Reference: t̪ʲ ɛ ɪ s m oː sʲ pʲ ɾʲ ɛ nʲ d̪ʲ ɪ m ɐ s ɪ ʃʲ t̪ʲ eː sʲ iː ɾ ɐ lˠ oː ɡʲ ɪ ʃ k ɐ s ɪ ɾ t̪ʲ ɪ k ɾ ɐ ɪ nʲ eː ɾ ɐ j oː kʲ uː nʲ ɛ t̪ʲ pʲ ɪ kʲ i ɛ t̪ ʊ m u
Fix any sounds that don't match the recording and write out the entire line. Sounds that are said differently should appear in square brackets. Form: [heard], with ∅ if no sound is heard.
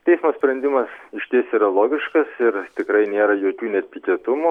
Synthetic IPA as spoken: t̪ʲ ɛ ɪ s m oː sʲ pʲ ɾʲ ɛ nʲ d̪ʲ ɪ m ɐ s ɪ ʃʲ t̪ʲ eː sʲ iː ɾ ɐ lˠ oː ɡʲ ɪ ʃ k ɐ s ɪ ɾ t̪ʲ ɪ k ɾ ɐ ɪ nʲ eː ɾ ɐ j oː kʲ uː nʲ ɛ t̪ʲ pʲ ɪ kʲ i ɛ t̪ ʊ m u